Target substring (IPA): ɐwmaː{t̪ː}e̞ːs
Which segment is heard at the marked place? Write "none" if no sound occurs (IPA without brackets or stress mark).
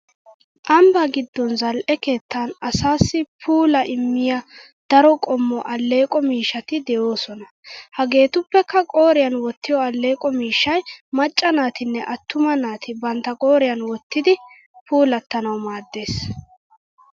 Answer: d̪ː